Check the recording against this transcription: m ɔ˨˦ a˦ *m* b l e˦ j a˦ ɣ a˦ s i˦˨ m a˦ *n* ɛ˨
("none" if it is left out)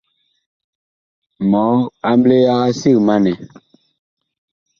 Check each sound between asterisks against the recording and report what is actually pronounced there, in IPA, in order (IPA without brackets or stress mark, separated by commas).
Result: m, n